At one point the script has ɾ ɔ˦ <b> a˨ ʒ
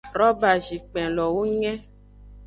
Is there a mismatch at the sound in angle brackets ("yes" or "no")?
no